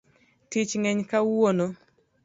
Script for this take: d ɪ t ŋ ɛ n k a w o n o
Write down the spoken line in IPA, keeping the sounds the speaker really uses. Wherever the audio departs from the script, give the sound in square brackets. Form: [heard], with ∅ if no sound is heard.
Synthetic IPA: [t] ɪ [t͡ʃ] ŋ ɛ [ɲ] k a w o n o